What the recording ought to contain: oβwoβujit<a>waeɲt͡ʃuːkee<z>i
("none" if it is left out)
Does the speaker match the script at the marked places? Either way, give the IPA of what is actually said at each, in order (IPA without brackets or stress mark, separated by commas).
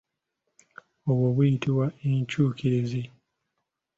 i, z